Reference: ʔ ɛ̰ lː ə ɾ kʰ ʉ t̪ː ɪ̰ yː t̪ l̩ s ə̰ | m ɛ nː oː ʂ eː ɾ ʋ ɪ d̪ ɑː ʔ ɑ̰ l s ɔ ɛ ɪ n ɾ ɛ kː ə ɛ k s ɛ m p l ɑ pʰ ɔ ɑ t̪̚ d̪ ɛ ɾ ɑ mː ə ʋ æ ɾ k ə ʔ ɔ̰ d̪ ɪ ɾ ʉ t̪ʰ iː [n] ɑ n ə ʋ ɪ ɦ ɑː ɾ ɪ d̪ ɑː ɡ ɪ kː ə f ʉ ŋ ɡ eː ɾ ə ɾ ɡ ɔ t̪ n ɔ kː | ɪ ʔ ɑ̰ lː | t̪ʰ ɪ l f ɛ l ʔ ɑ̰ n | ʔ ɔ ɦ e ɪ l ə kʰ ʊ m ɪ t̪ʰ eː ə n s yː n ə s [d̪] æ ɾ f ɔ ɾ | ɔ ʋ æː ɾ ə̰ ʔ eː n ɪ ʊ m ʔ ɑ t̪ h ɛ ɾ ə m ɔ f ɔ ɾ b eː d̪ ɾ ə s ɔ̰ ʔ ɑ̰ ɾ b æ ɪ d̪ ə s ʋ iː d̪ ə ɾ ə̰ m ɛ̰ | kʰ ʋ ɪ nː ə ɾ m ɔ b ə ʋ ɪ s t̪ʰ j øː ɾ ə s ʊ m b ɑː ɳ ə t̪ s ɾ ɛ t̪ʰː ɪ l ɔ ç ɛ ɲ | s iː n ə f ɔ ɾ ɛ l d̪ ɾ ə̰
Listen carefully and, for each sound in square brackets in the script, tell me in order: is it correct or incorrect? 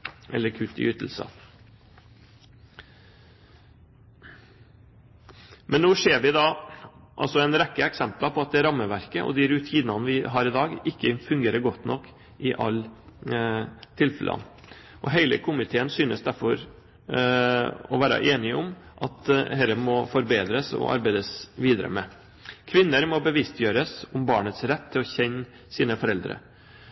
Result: correct, correct

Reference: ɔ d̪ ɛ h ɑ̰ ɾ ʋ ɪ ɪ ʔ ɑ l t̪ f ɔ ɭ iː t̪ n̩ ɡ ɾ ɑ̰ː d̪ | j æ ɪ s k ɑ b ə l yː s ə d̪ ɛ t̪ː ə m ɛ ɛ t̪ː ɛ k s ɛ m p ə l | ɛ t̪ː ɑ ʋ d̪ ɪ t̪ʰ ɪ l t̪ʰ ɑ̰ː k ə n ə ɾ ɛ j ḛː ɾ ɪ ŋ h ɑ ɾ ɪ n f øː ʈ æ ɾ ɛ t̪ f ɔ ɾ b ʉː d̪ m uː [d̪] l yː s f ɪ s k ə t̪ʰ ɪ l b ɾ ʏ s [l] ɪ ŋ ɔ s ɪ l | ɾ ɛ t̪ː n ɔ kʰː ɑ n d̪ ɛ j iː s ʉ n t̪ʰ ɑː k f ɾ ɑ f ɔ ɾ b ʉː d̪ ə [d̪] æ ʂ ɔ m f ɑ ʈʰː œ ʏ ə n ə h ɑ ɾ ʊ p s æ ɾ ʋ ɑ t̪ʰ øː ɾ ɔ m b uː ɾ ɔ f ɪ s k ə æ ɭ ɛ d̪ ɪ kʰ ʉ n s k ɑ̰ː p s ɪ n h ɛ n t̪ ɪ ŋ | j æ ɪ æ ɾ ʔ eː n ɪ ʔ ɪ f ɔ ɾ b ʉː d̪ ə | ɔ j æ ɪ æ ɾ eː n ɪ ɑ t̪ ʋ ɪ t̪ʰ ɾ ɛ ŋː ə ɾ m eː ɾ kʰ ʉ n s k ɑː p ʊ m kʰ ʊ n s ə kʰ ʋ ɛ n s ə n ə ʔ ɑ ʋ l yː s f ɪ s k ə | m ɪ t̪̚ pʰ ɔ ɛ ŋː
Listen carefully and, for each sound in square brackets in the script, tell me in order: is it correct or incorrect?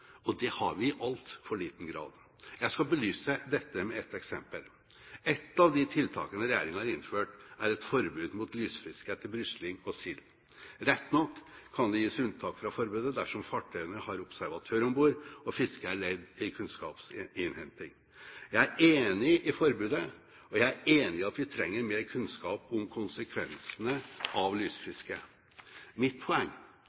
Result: incorrect, correct, correct

